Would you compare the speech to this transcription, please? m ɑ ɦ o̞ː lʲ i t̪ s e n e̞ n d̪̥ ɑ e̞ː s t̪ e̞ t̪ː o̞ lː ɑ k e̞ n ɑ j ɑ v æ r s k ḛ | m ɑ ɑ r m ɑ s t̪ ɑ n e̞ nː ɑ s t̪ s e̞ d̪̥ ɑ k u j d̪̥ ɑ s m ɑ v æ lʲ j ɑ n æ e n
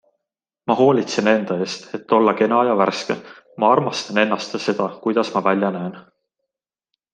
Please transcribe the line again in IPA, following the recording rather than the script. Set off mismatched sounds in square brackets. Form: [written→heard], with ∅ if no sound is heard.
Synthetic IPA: m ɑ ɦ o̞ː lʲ i t̪ s e n e̞ n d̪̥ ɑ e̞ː s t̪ e̞ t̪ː o̞ lː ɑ k e̞ n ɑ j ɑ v æ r s k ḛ | m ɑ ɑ r m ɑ s t̪ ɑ n e̞ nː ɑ s t̪ s e̞ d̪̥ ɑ k u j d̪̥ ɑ s m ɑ v æ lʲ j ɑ n æ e n

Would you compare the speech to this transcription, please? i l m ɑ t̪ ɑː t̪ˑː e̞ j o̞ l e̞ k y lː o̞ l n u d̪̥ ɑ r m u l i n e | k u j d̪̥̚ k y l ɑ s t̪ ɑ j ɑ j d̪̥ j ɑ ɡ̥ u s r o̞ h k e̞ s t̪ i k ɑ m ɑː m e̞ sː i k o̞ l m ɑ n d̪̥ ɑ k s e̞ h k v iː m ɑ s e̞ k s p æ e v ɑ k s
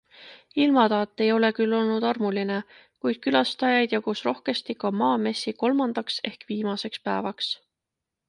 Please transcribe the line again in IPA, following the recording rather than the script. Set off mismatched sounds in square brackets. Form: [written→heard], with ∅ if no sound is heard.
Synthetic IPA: i l m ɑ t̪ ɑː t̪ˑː e̞ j o̞ l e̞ k y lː o̞ l n u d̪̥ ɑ r m u l i n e | k u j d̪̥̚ k y l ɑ s t̪ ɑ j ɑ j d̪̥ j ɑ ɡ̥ u s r o̞ h k e̞ s t̪ i k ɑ m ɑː m e̞ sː i k o̞ l m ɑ n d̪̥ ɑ k s e̞ h k v iː m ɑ s e̞ k s p æ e v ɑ k s

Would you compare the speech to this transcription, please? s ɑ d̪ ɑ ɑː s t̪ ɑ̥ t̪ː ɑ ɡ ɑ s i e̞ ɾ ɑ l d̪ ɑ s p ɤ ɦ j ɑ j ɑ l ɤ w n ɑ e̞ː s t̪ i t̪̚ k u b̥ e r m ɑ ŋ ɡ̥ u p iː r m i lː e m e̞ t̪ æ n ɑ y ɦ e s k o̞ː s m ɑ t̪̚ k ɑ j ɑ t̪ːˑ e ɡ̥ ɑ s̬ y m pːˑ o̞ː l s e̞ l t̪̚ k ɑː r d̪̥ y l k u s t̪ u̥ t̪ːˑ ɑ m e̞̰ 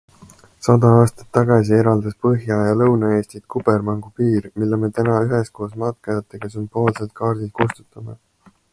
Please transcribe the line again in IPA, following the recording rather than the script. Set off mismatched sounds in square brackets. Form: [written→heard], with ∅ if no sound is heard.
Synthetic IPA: s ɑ d̪ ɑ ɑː s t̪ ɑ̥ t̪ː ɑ ɡ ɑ s i e̞ ɾ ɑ l d̪ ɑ s p ɤ ɦ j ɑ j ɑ l ɤ w n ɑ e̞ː s t̪ i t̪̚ k u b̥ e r m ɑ ŋ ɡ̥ u p iː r m i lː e m e̞ t̪ æ n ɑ y ɦ e s k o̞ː s m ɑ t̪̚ k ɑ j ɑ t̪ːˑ e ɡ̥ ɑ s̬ y m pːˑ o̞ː l s e̞ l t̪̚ k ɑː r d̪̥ [y→i] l k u s t̪ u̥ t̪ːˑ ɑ m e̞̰

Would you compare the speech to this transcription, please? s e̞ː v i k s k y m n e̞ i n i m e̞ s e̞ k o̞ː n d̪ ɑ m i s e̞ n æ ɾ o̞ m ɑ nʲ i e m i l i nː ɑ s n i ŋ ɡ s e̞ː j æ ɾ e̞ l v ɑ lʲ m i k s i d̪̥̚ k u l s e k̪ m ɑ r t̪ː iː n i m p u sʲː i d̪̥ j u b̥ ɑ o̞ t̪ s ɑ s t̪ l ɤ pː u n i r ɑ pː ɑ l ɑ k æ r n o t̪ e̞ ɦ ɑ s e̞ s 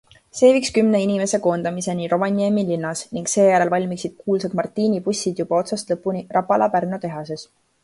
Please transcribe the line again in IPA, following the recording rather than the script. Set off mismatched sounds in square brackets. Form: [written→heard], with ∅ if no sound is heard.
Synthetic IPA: s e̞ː v i k s k y m n e̞ i n i m e̞ s e̞ k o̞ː n d̪ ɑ m i s e̞ n [æ→i] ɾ o̞ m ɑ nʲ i e m i l i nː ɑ s n i ŋ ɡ s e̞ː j æ ɾ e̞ l v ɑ lʲ m i k s i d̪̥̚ k [u→uː] l s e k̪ m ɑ r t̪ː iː n i [m→∅] p u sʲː i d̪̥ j u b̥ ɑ o̞ t̪ s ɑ s t̪ l ɤ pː u n i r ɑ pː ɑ l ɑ [k→p] æ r n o t̪ e̞ ɦ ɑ s e̞ s

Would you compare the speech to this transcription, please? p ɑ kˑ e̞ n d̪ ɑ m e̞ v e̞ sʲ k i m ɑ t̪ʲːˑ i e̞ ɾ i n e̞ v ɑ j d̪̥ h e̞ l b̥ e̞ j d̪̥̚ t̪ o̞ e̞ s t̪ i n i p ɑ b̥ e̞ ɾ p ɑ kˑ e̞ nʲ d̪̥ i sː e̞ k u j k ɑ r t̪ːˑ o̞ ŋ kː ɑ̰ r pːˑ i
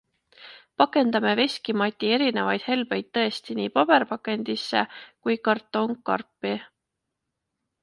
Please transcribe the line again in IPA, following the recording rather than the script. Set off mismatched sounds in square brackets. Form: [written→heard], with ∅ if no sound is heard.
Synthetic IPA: p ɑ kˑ e̞ n d̪ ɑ m e̞ v e̞ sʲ k i m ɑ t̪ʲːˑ i e̞ ɾ i n e̞ v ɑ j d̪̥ h e̞ l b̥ e̞ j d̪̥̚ t̪ [o̞→ɤ̞] e̞ s t̪ i n [i→iː] p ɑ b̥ e̞ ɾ p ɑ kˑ e̞ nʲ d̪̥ i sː e̞ k u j k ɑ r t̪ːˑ o̞ ŋ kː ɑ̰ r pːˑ i

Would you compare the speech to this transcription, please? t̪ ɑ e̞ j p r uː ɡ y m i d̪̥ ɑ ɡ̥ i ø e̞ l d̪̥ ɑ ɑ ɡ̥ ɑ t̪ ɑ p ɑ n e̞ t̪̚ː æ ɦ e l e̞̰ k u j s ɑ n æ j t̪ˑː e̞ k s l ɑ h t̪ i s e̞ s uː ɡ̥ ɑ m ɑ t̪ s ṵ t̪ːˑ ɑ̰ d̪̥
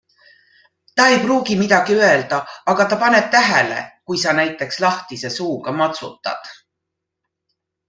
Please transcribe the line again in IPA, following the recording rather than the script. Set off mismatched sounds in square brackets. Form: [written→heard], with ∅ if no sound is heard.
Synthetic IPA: t̪ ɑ e̞ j p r uː ɡ [y→i] m i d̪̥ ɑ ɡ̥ i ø e̞ l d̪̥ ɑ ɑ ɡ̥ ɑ t̪ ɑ p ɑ n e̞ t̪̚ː æ ɦ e l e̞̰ k u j s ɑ n æ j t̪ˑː e̞ k s l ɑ h t̪ i s e̞ s uː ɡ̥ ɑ m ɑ t̪ s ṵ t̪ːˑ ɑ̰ d̪̥

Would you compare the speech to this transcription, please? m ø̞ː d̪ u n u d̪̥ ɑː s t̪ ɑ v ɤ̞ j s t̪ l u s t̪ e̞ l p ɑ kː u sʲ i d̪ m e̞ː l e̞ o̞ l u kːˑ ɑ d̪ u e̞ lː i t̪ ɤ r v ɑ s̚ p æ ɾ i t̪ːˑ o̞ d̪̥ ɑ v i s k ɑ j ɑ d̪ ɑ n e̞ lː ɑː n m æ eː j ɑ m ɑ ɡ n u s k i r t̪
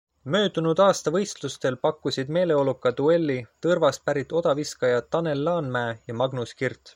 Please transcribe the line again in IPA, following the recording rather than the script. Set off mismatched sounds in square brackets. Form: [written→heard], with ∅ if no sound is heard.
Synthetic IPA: m ø̞ː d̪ u n u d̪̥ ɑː s t̪ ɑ v ɤ̞ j s t̪ l u s t̪ e̞ l p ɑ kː u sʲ i d̪ m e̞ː l e̞ o̞ l u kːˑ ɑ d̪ u e̞ lː i t̪ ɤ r v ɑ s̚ p æ ɾ i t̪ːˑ o̞ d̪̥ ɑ v i s k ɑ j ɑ [d̪→t̪] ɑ n e̞ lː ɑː n m æ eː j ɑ m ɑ ɡ n u s k i r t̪

